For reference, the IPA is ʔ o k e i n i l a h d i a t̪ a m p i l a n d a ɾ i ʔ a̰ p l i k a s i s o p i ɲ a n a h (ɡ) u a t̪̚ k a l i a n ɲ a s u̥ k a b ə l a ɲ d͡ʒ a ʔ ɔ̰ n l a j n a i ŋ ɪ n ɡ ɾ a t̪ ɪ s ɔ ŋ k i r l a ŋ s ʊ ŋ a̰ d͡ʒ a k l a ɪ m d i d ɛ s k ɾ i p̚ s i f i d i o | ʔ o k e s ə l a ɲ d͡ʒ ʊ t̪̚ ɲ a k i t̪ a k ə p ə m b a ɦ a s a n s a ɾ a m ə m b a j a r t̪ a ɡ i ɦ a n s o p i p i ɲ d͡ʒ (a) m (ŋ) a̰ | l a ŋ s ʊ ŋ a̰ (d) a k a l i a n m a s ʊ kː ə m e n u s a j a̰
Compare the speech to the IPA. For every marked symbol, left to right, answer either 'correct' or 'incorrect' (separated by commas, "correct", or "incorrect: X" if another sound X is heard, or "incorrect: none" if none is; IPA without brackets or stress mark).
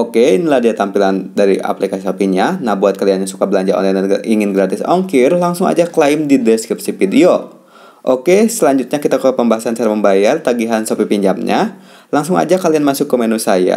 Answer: incorrect: b, correct, incorrect: ɲ, incorrect: d͡ʒ